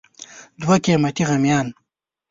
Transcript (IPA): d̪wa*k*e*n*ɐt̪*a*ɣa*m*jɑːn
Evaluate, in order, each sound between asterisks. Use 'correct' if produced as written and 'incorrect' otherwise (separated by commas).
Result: correct, incorrect, incorrect, correct